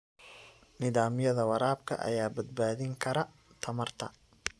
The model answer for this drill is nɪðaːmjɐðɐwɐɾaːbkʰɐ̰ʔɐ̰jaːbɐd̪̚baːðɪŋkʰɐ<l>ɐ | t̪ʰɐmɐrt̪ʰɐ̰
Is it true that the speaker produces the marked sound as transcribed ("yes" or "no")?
no